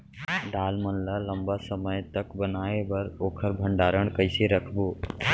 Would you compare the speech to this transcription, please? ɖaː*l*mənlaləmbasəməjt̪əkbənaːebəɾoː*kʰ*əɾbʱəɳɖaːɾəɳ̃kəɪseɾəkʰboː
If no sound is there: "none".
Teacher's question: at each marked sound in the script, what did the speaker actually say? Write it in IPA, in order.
l, kʰ

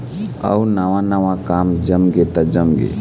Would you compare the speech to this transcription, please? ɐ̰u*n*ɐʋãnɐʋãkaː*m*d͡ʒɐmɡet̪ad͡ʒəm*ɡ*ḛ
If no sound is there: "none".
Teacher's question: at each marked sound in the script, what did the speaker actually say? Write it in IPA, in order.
n, m, ɡ

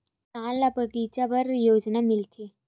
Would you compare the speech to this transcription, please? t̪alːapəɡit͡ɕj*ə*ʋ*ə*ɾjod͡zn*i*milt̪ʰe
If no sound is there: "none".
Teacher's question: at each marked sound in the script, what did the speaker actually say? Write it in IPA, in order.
a, ə, a

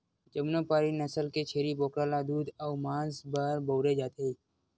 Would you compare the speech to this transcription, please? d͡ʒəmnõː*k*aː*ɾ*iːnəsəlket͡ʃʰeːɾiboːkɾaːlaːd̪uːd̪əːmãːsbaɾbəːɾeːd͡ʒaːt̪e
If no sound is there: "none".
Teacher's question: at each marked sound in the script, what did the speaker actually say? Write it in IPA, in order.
p, ɾ

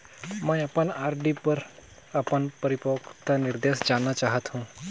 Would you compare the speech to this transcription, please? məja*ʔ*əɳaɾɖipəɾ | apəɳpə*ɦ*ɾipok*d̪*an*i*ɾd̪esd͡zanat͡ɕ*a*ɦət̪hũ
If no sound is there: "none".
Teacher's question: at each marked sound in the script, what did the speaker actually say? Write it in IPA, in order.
p, none, t̪, i, a

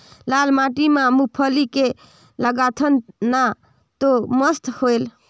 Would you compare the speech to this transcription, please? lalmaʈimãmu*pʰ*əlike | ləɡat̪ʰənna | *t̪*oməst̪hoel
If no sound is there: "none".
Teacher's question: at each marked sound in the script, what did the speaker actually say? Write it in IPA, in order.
pʰ, t̪

